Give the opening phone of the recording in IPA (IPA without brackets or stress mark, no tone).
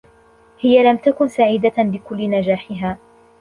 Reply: h